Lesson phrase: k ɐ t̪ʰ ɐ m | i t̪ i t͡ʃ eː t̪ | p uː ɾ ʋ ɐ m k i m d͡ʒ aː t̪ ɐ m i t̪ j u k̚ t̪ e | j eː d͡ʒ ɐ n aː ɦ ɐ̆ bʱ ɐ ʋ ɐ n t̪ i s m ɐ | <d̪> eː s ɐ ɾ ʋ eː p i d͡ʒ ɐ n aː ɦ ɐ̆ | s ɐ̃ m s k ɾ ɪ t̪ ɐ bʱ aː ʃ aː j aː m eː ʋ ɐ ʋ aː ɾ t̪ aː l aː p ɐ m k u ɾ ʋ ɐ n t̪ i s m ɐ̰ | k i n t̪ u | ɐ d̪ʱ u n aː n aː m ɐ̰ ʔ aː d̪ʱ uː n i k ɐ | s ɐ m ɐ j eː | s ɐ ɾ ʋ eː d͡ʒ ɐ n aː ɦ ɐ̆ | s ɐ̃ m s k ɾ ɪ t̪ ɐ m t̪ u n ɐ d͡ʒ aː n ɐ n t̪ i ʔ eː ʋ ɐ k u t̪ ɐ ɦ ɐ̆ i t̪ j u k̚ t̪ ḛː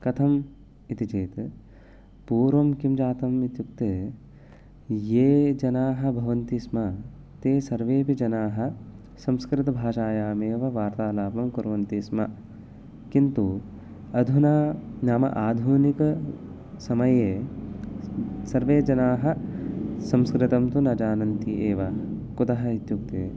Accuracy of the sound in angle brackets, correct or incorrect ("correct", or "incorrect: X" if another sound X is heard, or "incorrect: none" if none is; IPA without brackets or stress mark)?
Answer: incorrect: t̪